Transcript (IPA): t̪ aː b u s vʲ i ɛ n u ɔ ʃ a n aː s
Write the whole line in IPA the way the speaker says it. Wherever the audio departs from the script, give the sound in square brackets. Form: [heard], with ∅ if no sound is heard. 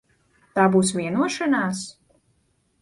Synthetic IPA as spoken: t̪ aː b [uː] s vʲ i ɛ n u ɔ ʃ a n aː s

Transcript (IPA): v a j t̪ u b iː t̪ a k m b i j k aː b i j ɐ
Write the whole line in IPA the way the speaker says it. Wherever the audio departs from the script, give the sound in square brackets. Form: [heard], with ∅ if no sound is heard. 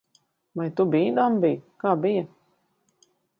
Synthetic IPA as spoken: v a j t̪ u b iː [d̪] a [∅] m b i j k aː b i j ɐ

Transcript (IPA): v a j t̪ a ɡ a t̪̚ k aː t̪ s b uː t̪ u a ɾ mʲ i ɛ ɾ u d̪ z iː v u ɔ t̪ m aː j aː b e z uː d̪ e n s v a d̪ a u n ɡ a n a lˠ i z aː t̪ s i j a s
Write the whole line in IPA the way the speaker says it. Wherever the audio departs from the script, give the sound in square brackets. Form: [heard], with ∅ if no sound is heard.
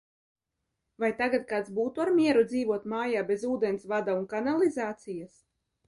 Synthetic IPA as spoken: v a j t̪ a ɡ a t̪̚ k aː t̪ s b uː t̪ u a ɾ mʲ i ɛ ɾ u d̪ z iː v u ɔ t̪ m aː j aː b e z uː d̪ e n s v a d̪ a u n [k] a n a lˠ i z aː t̪ s i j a s

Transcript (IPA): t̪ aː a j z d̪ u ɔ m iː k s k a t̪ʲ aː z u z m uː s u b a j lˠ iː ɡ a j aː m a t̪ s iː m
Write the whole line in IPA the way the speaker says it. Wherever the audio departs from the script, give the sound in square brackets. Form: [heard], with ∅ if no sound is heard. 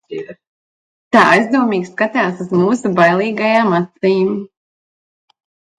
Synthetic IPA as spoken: t̪ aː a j z d̪ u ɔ m iː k s k a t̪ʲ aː [s] u z m uː s u b a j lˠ iː ɡ a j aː m a t̪ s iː m

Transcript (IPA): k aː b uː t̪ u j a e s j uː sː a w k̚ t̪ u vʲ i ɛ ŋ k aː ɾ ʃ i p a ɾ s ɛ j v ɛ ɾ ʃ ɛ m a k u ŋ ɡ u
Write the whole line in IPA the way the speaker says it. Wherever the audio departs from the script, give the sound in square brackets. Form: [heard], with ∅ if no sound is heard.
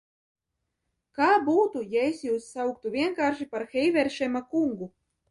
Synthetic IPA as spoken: k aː b uː t̪ u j a e s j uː sː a w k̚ t̪ u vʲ i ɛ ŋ k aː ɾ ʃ i p a ɾ [x] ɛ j v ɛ ɾ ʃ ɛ m a k u ŋ ɡ u

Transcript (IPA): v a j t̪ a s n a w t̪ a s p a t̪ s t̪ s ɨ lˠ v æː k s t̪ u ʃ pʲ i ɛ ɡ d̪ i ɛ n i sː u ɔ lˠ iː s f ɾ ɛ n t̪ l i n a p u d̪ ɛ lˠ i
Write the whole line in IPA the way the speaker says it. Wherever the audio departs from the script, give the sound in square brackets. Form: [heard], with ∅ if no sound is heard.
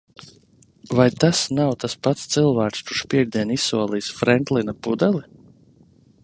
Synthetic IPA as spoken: v a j t̪ a s n a w t̪ a s p a t̪ s t̪ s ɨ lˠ v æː k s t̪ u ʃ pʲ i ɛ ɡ d̪ i ɛ n i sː u ɔ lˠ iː s f ɾ ɛ n t̪ l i n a p u d̪ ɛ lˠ i

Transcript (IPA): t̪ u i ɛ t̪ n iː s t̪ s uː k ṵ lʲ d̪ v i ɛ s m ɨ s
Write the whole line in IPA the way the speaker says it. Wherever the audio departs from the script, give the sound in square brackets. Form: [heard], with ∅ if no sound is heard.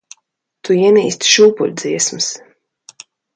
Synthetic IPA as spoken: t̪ u i ɛ [∅] n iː s t̪ [ʃ] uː [p] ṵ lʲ d̪ [z] i ɛ s m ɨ s

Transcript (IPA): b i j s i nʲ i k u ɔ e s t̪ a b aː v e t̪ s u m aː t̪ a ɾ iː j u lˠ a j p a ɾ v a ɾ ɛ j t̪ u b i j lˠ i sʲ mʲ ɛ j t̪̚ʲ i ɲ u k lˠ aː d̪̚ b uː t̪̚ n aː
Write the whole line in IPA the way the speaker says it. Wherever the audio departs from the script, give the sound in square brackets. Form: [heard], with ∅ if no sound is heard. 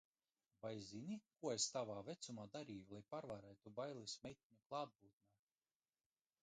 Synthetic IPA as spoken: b [a] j [z] i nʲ i k u ɔ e s t̪ a [v] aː v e t̪ s u m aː [d̪] a ɾ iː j u lˠ a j p a ɾ v a ɾ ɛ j t̪ u b [a] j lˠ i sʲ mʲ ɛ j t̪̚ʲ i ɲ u k lˠ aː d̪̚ b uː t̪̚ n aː

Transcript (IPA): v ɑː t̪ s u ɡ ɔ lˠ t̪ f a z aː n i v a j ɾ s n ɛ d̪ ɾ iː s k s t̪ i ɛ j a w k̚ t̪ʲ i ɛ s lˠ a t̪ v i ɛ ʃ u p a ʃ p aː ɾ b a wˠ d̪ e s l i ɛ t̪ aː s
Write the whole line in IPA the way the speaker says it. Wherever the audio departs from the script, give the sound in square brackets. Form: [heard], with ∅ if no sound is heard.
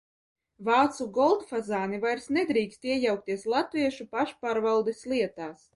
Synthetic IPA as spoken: v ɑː t̪ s u ɡ ɔ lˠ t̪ f a z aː n i v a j ɾ s n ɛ d̪ ɾ iː [∅] k s t̪ i ɛ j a w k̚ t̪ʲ i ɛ s lˠ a t̪ v i ɛ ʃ u p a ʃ p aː ɾ [v] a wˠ d̪ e s l i ɛ t̪ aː s

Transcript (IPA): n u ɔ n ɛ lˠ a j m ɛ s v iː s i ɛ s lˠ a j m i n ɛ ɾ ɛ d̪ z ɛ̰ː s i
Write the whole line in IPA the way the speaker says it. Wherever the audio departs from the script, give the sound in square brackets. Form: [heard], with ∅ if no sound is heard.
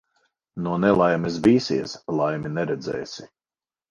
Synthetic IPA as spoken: n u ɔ n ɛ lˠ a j m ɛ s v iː s i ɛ s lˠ a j m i n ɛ ɾ ɛ d̪ z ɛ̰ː s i

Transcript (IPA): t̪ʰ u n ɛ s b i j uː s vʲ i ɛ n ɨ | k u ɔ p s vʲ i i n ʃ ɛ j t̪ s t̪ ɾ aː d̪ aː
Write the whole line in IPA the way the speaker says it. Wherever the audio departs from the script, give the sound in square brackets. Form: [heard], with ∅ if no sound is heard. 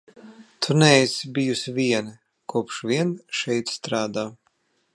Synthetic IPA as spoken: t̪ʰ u n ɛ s b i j [u] s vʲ i ɛ n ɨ | k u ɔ p [ʃ] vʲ i [ɛ] n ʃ ɛ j t̪ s t̪ ɾ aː d̪ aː

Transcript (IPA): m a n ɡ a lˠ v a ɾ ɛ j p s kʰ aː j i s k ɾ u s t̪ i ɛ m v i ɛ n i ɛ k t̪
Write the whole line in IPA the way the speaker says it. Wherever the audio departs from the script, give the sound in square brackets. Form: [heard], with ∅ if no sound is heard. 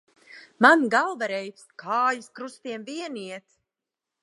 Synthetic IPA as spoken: m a n ɡ a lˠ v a ɾ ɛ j p s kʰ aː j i s k ɾ u s t̪ i ɛ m v i ɛ n i ɛ [∅] t̪

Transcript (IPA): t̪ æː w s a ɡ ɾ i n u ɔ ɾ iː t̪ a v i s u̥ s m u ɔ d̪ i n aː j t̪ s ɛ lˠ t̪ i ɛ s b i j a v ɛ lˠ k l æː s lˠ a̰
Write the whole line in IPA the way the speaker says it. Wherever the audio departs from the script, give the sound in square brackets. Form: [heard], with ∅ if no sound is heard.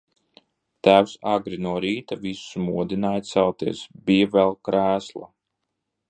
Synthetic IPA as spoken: t̪ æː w s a ɡ ɾ i n u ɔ ɾ iː t̪ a v i s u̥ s m u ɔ d̪ i n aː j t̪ s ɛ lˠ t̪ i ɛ s b i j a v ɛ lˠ k [ɾ] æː s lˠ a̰

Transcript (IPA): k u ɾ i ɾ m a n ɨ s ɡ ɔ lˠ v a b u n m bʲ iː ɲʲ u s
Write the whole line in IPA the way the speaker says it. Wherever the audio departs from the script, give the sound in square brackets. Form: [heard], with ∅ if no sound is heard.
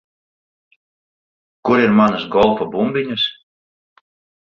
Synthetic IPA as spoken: k u ɾ i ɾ m a n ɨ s ɡ ɔ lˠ [f] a b u [∅] m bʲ [i] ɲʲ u s

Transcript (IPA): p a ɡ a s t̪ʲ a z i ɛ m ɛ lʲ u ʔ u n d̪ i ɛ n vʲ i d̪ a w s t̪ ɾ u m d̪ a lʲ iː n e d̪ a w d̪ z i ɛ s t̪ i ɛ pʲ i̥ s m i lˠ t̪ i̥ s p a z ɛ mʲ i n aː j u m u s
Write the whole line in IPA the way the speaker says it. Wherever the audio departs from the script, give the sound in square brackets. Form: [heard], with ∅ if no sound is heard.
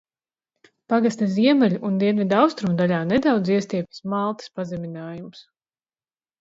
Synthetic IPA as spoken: p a ɡ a s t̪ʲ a z i ɛ m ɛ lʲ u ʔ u n d̪ i ɛ n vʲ i d̪ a w s t̪ ɾ u m d̪ a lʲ [aː] n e d̪ a w d̪ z i ɛ s t̪ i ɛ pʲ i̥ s m [a] lˠ t̪ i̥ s p a z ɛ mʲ i n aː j u m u s

